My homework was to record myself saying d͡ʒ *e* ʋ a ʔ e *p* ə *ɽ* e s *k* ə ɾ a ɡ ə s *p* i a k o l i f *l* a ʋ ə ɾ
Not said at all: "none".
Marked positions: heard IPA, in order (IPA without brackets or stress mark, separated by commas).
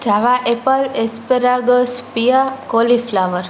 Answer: a, p, l, p, p, l